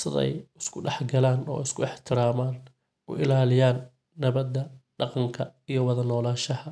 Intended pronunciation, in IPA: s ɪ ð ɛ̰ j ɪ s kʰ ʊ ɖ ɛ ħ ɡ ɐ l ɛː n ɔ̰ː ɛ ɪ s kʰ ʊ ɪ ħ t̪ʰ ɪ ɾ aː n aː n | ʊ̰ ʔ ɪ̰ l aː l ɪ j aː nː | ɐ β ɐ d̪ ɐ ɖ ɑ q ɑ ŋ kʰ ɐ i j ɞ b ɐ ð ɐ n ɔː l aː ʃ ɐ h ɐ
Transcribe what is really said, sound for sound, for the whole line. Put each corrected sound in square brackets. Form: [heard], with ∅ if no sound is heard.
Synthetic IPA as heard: s ɪ ð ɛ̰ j ɪ s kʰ ʊ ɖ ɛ ħ ɡ ɐ l [aː] n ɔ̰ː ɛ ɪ s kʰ ʊ ɪ ħ t̪ʰ ɪ ɾ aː [m] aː n | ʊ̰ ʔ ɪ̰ l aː l ɪ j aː nː | ɐ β ɐ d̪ ɐ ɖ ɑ q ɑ ŋ kʰ ɐ i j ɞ [w] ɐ ð ɐ n ɔː l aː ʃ ɐ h ɐ